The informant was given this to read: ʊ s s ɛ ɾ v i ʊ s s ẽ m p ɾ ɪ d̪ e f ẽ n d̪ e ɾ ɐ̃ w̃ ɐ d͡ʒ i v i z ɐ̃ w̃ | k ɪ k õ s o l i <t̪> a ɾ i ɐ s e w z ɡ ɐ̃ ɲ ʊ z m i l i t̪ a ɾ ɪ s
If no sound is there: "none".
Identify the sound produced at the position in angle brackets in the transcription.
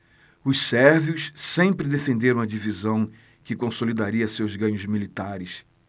d̪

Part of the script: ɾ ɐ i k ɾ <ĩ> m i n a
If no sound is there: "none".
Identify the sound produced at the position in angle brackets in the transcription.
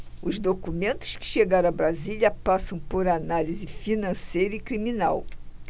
i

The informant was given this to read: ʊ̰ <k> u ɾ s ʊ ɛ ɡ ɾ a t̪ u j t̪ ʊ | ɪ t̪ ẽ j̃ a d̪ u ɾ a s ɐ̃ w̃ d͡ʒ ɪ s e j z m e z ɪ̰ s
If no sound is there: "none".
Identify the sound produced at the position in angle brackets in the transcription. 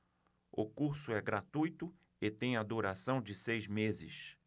k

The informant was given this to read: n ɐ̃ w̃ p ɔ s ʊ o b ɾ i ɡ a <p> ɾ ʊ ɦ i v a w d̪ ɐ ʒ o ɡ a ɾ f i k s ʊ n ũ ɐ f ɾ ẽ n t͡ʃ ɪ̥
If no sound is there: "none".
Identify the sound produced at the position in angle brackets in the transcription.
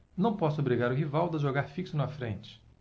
none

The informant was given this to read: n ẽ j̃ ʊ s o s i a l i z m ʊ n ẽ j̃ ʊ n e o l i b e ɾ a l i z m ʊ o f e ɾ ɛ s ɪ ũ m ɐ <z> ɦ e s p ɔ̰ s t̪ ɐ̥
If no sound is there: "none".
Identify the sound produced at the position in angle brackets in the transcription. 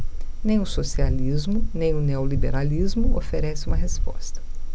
none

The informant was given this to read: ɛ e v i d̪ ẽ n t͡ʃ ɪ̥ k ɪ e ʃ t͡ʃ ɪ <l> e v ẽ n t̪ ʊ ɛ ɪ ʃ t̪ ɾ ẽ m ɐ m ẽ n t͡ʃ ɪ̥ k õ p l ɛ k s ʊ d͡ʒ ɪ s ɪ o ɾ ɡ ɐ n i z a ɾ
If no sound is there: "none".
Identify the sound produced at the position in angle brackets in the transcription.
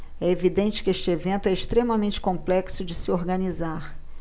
none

